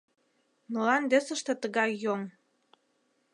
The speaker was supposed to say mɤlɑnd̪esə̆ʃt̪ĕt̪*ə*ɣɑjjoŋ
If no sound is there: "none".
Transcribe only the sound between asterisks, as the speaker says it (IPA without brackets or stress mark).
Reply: ə